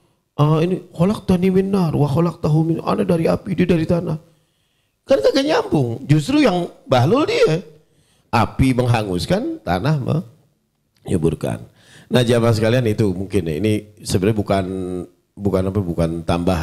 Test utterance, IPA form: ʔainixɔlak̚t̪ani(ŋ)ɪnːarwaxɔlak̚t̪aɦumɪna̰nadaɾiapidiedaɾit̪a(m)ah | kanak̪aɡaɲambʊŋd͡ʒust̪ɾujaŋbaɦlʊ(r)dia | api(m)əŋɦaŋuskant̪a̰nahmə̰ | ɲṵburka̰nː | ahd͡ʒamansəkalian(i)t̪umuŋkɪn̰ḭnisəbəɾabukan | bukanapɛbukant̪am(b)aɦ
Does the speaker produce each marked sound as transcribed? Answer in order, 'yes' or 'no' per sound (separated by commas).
no, no, no, yes, yes, yes